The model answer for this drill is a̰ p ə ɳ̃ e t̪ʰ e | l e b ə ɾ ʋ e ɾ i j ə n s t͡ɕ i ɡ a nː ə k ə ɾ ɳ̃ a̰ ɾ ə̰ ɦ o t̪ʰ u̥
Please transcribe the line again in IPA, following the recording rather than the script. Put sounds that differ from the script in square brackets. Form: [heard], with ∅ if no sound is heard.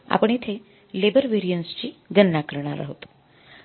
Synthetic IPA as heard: a̰ p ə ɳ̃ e t̪ʰ e | l e b ə ɾ ʋ e ɾ i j ə n s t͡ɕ i ɡ [ə] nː [a] k ə ɾ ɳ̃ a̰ ɾ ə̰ ɦ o [t̪] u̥

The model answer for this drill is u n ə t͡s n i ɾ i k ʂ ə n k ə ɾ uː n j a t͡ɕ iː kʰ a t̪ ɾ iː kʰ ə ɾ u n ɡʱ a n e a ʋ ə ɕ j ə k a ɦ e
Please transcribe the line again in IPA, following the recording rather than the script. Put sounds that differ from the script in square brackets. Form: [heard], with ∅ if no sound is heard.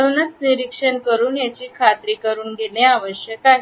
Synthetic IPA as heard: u n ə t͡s n i ɾ i k ʂ ə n k ə ɾ uː n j a t͡ɕ iː kʰ a t̪ ɾ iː [k] ə ɾ [uː] n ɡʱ [e] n e a ʋ ə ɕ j ə k a ɦ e

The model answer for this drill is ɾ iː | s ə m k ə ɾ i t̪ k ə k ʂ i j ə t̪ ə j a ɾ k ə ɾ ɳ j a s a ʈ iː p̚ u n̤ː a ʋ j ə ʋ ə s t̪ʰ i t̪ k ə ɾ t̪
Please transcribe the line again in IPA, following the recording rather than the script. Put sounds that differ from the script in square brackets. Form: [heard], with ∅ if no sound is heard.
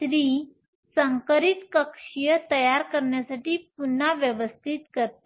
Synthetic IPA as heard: ɾ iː | s ə [ŋ] k ə ɾ i t̪ k ə k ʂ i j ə t̪ ə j a ɾ k ə ɾ ɳ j a s a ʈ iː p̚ u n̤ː a ʋ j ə ʋ ə s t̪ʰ i t̪ k ə ɾ t̪

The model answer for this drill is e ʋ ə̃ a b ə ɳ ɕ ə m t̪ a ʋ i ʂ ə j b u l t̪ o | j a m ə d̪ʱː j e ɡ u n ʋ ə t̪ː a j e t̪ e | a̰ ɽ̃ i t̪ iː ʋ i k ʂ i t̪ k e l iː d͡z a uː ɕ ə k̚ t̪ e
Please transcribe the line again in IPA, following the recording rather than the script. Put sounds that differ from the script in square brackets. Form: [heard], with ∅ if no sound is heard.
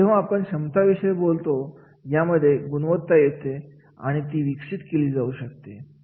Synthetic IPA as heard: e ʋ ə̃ a [p] ə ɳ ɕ ə m t̪ a ʋ i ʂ ə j b [o] l t̪ o | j a m ə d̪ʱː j e ɡ u n ʋ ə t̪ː a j e t̪ e | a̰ ɽ̃ i t̪ iː ʋ i k ʂ i t̪ k e l iː d͡z a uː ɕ ə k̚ t̪ e

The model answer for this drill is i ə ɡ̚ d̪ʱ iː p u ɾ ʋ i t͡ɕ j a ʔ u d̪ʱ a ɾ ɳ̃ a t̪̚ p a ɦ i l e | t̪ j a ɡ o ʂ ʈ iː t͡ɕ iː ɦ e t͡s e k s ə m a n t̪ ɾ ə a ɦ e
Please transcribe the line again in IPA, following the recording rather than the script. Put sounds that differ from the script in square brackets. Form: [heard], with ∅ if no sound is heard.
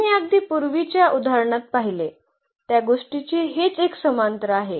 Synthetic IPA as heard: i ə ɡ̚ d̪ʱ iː p u ɾ ʋ i t͡ɕ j a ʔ u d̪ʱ a ɾ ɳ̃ a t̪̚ p a ɦ i l e | t̪ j a ɡ o ʂ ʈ [i] t͡ɕ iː ɦ e t͡s e k s ə m a n t̪ ɾ ə a ɦ e

